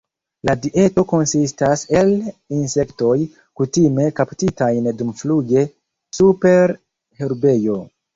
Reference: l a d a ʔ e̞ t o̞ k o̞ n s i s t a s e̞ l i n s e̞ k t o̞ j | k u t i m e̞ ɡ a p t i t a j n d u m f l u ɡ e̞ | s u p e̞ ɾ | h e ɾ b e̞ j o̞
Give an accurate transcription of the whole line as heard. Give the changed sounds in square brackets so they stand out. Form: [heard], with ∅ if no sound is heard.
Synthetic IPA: l a d [i] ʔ e̞ t o̞ k o̞ n s i s t a s e̞ l i n s e̞ k t o̞ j | k u t i m e̞ [k] a p t i t a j n d u m f l u ɡ e̞ | s u p e̞ ɾ | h e ɾ b e̞ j o̞